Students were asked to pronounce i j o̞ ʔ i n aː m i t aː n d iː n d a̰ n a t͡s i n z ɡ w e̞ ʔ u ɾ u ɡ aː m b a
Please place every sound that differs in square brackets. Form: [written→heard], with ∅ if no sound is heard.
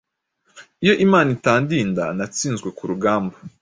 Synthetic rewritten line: i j o̞ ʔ i [n→m] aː [m→n] i t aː n d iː n d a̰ n a t͡s [i→iː] n z ɡ w e̞ [ʔ→k] u ɾ u ɡ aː m b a